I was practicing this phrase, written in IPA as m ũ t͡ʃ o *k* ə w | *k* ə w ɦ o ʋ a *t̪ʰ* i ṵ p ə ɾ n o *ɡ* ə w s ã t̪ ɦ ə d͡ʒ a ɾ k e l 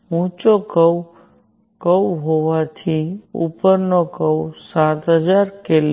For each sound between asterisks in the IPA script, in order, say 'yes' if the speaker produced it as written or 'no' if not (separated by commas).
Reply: yes, yes, yes, no